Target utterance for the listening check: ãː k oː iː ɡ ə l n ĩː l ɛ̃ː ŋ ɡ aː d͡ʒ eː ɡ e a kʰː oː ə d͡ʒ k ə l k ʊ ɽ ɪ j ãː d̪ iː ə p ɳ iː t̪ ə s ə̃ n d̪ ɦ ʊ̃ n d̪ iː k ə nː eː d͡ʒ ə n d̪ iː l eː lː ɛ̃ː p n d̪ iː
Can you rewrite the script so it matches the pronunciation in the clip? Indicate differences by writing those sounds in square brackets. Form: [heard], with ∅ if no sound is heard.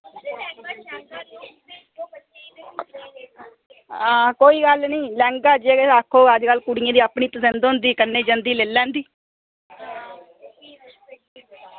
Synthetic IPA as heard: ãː k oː iː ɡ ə l n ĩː l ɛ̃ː ŋ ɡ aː d͡ʒ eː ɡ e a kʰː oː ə d͡ʒ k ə l k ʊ ɽ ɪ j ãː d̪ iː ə p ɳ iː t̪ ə s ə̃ n d̪ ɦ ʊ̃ n d̪ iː k ə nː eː d͡ʒ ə n d̪ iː l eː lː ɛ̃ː [∅] n d̪ iː